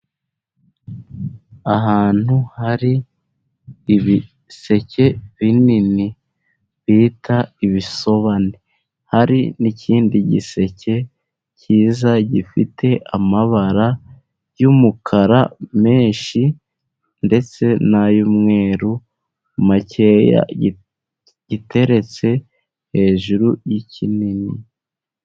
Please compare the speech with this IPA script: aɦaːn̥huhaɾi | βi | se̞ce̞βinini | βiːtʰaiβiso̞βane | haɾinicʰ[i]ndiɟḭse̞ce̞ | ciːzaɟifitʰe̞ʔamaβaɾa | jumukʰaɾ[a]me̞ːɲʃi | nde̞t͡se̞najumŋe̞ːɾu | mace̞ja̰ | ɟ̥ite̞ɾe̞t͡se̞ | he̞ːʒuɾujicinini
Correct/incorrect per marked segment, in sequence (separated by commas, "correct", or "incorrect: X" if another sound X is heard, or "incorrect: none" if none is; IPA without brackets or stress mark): incorrect: iː, correct